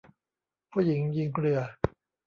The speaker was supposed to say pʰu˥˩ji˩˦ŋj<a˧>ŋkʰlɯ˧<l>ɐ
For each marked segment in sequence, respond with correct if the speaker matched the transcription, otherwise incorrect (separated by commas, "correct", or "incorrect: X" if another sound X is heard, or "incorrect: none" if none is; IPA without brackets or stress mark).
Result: incorrect: i˧, incorrect: none